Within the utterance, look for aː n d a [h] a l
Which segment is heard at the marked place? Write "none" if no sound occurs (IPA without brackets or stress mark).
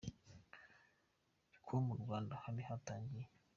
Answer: h